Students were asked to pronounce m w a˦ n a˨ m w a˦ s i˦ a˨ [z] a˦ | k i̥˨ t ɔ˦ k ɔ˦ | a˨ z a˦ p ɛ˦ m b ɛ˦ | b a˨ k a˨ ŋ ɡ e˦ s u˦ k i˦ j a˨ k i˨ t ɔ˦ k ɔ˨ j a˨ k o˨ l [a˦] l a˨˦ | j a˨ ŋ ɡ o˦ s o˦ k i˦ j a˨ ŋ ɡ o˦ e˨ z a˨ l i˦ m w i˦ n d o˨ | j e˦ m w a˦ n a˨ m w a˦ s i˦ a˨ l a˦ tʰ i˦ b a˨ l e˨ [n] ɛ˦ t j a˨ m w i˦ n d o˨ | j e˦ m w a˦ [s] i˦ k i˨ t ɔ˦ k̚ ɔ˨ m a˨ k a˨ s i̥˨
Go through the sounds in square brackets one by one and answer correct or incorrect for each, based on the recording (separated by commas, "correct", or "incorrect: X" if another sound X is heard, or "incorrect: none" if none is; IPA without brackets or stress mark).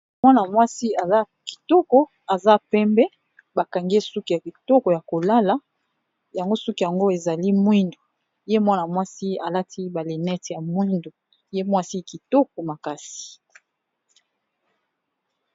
correct, correct, correct, correct